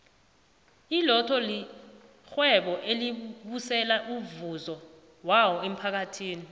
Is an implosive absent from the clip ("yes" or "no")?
no